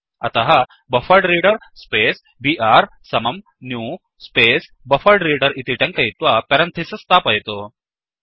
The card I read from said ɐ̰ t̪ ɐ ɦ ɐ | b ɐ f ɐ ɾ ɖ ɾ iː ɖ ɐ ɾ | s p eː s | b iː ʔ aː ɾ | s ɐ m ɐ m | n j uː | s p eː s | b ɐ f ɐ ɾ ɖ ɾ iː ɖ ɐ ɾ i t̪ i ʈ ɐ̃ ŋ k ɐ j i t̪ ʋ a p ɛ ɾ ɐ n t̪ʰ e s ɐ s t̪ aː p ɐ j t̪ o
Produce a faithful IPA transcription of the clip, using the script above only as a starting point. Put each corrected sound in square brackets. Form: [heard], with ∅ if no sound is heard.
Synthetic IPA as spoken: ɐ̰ t̪ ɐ ɦ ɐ | b ɐ f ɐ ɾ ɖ ɾ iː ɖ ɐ ɾ | s p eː s | b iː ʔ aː ɾ | s ɐ m ɐ m | n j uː | s p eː s | b ɐ f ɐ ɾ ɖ ɾ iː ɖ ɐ ɾ i t̪ i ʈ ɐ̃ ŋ k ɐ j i t̪ ʋ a p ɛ ɾ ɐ n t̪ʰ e s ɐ s t̪ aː p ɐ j t̪ o